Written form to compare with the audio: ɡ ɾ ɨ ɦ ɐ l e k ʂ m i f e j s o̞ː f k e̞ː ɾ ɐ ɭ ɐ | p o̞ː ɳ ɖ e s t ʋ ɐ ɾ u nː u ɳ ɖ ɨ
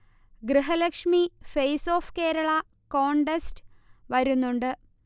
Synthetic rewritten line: ɡ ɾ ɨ ɦ ɐ l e k ʂ m i f e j s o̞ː f k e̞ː ɾ ɐ ɭ ɐ | k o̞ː ɳ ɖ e s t ʋ ɐ ɾ u nː u ɳ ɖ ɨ